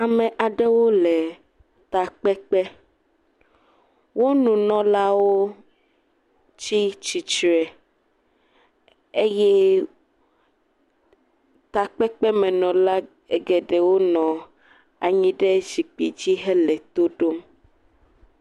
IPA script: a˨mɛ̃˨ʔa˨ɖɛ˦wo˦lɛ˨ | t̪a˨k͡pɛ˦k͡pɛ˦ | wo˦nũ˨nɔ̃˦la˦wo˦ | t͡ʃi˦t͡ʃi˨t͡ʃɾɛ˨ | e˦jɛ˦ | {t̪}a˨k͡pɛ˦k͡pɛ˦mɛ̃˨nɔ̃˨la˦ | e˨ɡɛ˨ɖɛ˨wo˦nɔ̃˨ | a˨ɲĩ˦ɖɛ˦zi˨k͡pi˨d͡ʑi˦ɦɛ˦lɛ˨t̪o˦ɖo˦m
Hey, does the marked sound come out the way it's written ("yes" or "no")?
yes